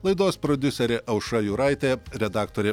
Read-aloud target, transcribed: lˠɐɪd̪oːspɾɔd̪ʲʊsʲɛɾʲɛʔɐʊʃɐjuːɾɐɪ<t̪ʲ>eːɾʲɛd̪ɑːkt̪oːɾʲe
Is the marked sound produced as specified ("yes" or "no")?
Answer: yes